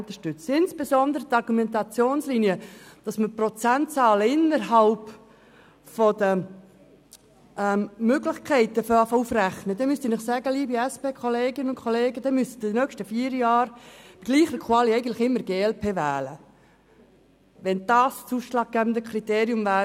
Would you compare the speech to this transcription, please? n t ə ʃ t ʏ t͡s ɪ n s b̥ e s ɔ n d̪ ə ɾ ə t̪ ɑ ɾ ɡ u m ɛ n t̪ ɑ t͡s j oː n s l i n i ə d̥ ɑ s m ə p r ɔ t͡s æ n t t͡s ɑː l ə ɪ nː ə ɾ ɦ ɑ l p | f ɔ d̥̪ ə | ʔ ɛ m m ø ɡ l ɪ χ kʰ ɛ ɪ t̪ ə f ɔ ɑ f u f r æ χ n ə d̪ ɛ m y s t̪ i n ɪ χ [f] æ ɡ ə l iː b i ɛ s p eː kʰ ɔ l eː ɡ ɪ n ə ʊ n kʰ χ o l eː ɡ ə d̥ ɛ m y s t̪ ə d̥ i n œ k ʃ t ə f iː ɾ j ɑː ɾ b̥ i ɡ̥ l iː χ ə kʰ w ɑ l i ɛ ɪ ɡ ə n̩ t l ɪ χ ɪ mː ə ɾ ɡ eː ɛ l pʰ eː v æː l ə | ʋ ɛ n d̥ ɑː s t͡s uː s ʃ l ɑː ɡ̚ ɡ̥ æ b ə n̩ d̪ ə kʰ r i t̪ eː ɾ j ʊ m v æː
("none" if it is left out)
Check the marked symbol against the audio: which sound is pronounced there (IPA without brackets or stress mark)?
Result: s